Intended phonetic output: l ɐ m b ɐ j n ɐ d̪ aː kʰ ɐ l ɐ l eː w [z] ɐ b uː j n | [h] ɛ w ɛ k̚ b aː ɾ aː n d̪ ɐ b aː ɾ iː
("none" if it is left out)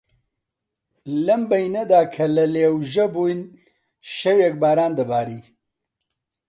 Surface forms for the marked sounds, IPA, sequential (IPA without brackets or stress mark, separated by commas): ʒ, ʃ